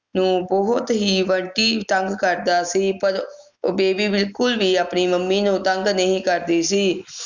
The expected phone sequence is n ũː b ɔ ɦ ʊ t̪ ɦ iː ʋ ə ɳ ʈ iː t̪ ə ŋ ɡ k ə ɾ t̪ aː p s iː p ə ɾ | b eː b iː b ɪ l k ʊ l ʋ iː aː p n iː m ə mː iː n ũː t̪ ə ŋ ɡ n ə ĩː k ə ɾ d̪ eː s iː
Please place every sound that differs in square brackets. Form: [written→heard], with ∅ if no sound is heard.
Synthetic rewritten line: n ũː b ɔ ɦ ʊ t̪ ɦ iː ʋ ə ɳ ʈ iː t̪ ə ŋ ɡ k ə ɾ [t̪→d̪] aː [p→∅] s iː p ə ɾ | b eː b iː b ɪ l k ʊ l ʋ iː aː p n iː m ə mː iː n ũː t̪ ə ŋ ɡ n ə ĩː k ə ɾ d̪ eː s iː